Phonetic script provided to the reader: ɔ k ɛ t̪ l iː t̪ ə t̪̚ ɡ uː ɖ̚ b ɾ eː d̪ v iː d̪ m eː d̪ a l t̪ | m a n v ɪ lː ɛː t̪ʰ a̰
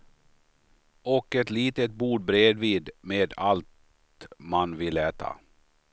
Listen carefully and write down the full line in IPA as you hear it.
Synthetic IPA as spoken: ɔ k ɛ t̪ l iː t̪ ə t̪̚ b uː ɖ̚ b ɾ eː d̪ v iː d̪ m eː d̪ a l t̪ | m a n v ɪ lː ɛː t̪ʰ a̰

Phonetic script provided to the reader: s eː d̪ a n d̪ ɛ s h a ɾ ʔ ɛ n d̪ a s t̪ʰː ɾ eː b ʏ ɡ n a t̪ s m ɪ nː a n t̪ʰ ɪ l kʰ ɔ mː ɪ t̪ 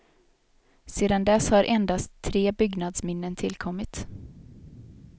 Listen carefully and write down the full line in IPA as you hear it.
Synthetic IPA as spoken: s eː d̪ a n d̪ ɛ s h a ɾ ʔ ɛ n d̪ a s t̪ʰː ɾ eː b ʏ ɡ n a d̪ s m ɪ nː ə n t̪ʰ ɪ l kʰ ɔ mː ɪ t̪

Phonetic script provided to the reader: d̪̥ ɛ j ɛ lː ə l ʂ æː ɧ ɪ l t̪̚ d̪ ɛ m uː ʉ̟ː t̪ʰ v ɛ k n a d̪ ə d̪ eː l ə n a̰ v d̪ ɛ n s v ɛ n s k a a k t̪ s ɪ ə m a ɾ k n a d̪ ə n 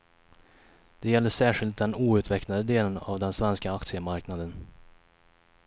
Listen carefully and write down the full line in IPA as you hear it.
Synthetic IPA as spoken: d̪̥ ɛ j ɛ lː ə ʂ æː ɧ ɪ l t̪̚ d̪ ɛ n uː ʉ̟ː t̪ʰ v ɛ k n a d̪ ə d̪ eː l ə n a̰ v d̪ ɛ n s v ɛ n s k a a k t̪ s ɪ ə m a ɾ k n a d̪ ə n

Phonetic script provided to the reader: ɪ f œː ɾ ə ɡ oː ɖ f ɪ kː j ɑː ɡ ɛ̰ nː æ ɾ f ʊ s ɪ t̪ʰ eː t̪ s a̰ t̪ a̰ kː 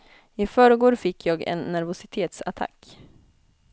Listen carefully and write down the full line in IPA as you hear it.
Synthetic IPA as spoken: ɪ f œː ɾ ə ɡ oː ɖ f ɪ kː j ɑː ɡ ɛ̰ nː æ ɾ v ʊ s ɪ t̪ʰ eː t̪ s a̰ t̪ʰ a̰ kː

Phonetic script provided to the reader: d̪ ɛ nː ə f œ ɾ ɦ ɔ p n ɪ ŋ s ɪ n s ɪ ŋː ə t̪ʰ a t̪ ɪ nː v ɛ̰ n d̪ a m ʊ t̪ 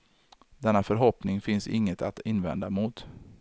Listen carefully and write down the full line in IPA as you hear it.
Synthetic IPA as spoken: d̪ ɛ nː a f œ ɾ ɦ ɔ p n ɪ ŋ f ɪ n s ɪ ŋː ə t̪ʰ a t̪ ɪ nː v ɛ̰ n d̪ a m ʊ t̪

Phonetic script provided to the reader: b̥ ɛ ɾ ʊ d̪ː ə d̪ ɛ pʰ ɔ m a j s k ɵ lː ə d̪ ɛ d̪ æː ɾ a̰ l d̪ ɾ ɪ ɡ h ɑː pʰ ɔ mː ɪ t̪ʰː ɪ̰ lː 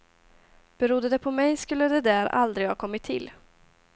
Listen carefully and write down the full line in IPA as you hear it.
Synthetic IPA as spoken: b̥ ɛ ɾ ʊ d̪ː ə d̪ ɛ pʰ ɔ m ɛ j s k ɵ lː ə d̪ ɛ d̪ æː ɾ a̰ l d̪ ɾ ɪ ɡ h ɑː kʰ ɔ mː ɪ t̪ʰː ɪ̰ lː

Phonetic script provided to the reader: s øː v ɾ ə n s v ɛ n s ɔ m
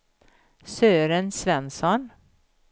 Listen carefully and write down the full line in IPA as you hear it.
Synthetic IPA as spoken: s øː ɾ ə n s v ɛ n s ɔ n

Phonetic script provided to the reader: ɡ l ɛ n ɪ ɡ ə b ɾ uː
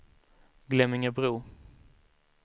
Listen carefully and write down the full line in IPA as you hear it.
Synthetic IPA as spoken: ɡ l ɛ m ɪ ŋ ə b ɾ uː

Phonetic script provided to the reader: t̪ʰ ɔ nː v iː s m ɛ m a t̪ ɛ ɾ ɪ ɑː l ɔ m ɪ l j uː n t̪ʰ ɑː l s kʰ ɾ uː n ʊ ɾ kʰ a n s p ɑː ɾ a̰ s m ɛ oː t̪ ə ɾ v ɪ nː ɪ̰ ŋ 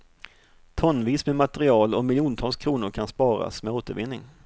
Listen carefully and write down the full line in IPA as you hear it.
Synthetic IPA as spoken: t̪ʰ ɔ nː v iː s m ɛ m a t̪ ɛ ɾ ɪ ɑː l ɔ m ɪ l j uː n t̪ʰ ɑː l s kʰ ɾ uː n ʊ ɾ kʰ a n s p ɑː ɾ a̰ s m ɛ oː t̪ ə ɾ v ɪ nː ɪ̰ ŋ

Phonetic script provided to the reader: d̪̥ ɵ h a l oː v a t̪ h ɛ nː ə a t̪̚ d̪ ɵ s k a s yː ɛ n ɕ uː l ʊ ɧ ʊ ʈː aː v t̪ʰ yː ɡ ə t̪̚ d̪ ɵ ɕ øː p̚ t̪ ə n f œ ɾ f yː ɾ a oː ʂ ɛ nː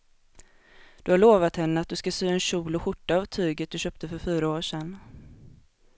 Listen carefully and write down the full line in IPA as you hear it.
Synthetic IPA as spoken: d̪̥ ɵ h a ɭ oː v a t̪ h ɛ nː ə a t̪̚ d̪ ɵ s k a s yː ɛ n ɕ uː l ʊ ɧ ʊ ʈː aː v t̪ʰ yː ɡ ə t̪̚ d̪ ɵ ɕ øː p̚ t̪ ə f œ ɾ f yː ɾ a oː ʂ ɛ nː

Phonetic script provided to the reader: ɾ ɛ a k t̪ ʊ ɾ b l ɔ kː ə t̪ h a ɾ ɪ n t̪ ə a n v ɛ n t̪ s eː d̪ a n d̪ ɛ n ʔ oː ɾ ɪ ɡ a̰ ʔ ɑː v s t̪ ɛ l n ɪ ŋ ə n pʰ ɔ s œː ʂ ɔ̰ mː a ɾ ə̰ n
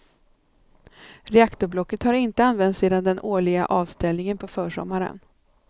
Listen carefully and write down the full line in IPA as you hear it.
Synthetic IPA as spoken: ɾ ɛ a k t̪ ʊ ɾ b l ɔ kː ə t̪ h a ɾ ɪ n t̪ ə a n v ɛ n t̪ s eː d̪ a n d̪ ɛ n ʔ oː ɭ ɪ ɡ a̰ ʔ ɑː v s t̪ ɛ l n ɪ ŋ ə n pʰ ɔ f œː ʂ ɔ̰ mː a ɾ ə̰ n

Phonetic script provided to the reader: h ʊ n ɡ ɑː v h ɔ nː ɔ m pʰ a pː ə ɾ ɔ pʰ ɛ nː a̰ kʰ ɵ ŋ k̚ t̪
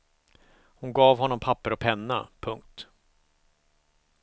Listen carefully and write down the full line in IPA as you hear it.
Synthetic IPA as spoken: h ʊ n ɡ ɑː v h ɔ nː ɔ m pʰ a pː ə ɾ ɔ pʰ ɛ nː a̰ pʰ ɵ ŋ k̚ t̪

